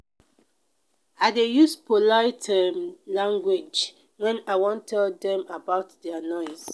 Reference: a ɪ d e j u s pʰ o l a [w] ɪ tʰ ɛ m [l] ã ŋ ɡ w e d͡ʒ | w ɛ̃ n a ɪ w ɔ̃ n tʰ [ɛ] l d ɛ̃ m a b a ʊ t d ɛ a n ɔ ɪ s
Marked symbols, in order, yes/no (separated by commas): no, yes, yes